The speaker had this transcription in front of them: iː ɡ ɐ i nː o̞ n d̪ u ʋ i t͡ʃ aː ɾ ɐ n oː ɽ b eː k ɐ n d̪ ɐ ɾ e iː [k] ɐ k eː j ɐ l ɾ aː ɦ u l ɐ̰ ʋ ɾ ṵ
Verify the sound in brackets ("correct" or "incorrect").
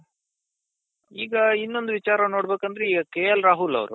incorrect